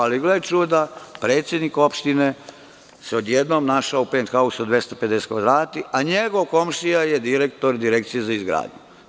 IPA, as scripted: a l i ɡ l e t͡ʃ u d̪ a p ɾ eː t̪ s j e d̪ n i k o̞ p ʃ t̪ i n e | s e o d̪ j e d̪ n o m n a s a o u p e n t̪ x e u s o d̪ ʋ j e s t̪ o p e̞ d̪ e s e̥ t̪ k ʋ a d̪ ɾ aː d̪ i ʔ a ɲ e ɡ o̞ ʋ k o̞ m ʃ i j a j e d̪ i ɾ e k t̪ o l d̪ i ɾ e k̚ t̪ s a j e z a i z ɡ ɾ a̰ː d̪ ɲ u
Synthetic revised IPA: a l i ɡ l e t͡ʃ u d̪ a p ɾ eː t̪ s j e d̪ n i k o̞ p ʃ t̪ i n e | s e o d̪ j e d̪ n o m n a ʃ a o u p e n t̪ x a u s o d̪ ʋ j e s t̪ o p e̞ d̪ e s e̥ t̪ k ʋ a d̪ ɾ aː t̪ i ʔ a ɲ e ɡ o̞ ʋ k o̞ m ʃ i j a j e d̪ i ɾ e k t̪ o ɾ d̪ i ɾ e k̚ t̪ s i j e z a i z ɡ ɾ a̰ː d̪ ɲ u